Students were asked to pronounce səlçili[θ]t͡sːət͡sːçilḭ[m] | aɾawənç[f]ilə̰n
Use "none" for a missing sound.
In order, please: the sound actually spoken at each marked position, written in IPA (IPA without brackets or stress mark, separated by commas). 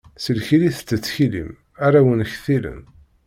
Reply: θ, m, θ